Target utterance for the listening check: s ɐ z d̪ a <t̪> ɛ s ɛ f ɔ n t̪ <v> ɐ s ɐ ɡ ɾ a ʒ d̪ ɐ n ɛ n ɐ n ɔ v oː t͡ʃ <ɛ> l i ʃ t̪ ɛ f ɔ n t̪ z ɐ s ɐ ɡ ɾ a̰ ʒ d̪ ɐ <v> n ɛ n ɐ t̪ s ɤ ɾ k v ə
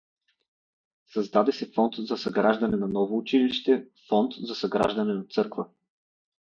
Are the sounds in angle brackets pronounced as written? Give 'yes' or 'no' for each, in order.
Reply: no, no, no, no

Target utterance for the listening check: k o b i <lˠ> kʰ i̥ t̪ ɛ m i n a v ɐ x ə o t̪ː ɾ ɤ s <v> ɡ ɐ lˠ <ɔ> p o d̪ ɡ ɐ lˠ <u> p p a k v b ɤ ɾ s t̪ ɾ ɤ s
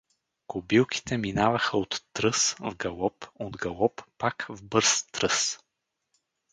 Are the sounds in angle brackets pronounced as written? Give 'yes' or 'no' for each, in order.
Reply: yes, yes, yes, no

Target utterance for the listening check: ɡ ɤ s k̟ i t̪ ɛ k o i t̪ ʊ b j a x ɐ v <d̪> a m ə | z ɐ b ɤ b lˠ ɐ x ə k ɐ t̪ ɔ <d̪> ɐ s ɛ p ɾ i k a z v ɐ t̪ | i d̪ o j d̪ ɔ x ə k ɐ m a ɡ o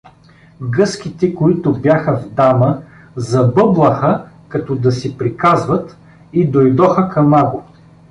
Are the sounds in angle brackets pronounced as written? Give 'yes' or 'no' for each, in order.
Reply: yes, yes

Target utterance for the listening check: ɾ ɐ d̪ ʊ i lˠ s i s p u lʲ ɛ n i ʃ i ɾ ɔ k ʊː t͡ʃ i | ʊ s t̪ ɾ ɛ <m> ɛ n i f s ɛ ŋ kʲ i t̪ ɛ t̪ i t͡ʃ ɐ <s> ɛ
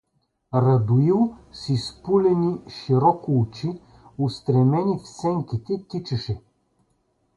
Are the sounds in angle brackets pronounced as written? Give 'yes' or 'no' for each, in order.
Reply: yes, no

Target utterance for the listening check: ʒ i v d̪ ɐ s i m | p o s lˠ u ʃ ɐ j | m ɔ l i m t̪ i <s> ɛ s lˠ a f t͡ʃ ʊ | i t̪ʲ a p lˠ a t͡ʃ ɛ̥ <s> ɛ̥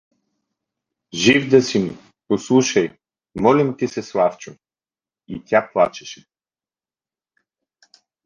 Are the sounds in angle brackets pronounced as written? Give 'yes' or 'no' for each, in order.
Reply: yes, no

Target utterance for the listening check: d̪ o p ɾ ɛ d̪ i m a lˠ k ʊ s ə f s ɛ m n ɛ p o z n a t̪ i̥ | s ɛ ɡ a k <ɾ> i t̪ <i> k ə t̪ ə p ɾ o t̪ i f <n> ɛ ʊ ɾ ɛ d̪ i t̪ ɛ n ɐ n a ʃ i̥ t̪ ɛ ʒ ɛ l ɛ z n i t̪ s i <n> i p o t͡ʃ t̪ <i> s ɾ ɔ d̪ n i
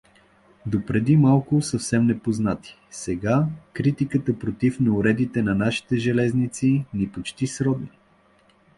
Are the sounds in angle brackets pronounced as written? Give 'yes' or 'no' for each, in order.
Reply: yes, yes, yes, yes, yes

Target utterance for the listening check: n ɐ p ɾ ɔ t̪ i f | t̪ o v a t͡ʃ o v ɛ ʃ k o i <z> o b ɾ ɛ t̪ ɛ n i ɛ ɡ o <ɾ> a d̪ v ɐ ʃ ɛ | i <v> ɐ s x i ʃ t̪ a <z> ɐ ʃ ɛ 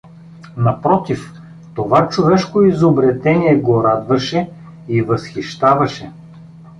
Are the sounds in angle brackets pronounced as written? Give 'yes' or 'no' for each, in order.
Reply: yes, yes, yes, no

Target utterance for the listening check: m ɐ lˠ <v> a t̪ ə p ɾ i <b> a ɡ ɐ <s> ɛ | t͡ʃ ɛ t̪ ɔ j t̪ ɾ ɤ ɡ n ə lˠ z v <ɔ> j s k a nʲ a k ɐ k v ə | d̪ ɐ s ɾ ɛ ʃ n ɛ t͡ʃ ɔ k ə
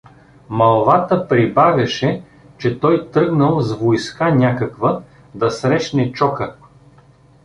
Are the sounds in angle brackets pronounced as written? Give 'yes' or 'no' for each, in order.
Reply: yes, yes, no, no

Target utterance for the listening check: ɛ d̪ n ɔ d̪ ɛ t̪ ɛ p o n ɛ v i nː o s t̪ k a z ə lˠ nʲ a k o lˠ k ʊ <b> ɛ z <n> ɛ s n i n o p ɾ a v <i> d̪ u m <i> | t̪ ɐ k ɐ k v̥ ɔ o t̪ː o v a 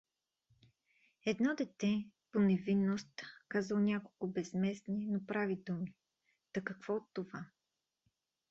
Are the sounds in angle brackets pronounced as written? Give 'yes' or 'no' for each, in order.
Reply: yes, no, yes, yes

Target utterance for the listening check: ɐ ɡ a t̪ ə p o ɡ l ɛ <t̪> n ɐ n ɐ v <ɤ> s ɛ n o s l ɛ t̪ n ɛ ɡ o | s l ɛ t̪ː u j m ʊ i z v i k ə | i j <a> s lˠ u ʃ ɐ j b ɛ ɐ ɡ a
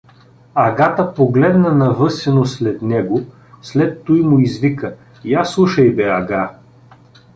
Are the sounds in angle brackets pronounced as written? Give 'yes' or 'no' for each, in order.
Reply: no, yes, yes

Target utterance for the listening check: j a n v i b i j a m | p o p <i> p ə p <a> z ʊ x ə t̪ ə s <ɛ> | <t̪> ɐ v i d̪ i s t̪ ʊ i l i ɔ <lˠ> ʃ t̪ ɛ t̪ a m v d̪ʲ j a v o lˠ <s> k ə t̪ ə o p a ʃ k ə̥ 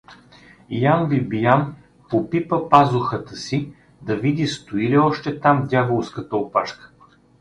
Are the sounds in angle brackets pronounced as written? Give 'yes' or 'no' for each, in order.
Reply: yes, yes, no, no, no, yes

